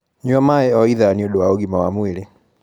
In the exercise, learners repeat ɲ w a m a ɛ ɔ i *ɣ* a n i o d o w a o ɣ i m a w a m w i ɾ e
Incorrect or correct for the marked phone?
incorrect: ð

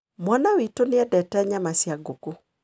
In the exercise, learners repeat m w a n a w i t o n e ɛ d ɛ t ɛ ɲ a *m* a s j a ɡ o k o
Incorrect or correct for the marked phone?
correct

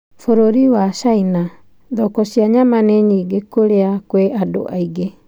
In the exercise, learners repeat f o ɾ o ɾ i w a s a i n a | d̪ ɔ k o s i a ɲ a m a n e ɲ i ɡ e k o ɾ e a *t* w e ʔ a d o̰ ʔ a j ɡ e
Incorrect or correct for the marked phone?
incorrect: k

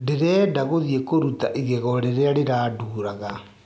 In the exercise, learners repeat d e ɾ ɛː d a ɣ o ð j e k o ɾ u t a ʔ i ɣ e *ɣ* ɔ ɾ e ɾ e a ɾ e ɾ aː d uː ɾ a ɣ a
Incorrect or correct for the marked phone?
correct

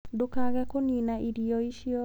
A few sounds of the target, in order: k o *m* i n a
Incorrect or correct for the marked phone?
incorrect: n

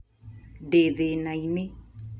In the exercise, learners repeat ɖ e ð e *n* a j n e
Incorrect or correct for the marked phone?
correct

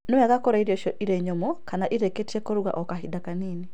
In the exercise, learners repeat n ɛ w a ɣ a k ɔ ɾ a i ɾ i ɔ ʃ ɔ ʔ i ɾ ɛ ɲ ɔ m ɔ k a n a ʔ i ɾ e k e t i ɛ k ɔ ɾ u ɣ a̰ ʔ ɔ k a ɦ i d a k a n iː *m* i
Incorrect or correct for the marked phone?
incorrect: n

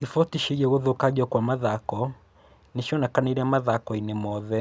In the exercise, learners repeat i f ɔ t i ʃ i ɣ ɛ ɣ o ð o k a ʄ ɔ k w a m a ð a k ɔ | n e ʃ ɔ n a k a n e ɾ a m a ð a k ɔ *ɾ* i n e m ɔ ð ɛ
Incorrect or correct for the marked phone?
incorrect: none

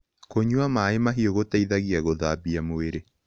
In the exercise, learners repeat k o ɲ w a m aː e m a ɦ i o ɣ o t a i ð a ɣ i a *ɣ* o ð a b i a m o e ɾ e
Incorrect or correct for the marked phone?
correct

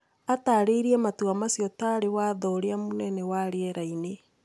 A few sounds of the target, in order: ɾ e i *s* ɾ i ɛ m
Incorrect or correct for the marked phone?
incorrect: none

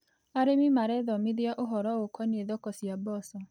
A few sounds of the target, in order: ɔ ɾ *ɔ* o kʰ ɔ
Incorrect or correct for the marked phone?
correct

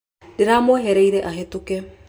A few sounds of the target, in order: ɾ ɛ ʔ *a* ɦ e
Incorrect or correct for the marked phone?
correct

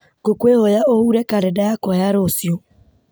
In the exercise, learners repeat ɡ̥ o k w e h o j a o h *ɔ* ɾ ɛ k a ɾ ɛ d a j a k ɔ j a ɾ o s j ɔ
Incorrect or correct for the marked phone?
incorrect: u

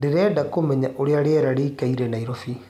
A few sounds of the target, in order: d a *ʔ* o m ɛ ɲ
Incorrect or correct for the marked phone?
incorrect: k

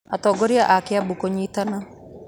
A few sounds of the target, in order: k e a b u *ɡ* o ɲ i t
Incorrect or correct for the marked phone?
incorrect: k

